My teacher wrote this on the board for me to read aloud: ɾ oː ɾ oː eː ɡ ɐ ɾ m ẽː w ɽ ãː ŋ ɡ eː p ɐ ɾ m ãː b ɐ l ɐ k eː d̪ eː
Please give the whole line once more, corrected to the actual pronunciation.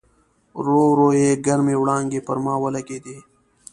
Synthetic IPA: ɾ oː ɾ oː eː ɡ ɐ ɾ m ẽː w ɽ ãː ŋ ɡ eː p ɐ ɾ m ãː w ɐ l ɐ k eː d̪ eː